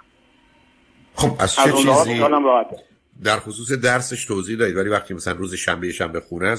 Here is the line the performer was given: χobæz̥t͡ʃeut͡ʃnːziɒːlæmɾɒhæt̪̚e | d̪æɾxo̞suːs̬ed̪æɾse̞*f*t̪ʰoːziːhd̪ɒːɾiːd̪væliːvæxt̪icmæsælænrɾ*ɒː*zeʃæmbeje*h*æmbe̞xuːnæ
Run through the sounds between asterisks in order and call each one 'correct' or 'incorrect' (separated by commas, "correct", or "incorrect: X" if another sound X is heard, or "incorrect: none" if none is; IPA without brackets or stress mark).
incorrect: ʃ, incorrect: uː, incorrect: ʃ